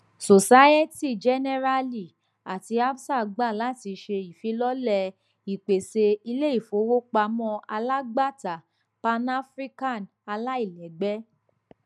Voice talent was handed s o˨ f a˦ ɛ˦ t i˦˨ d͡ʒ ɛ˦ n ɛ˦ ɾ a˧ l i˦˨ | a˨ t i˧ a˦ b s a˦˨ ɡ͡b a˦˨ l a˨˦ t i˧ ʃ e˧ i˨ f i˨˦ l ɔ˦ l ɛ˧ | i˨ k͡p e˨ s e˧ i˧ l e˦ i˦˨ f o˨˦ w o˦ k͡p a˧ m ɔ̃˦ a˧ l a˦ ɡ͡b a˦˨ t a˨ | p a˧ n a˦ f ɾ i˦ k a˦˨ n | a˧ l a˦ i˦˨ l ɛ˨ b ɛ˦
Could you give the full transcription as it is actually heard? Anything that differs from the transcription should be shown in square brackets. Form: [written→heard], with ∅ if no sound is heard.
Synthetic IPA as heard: s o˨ [f→s] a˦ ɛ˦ t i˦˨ d͡ʒ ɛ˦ n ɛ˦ ɾ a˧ l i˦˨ | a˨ t i˧ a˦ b s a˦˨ ɡ͡b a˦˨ l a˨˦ t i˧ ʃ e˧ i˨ f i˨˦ l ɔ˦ l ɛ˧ | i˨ k͡p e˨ s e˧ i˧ l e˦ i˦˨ f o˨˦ w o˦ k͡p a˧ m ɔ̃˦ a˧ l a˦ ɡ͡b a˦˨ t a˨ | p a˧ n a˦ f ɾ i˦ k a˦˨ n | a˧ l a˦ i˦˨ l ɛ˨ [b→ɡ͡b] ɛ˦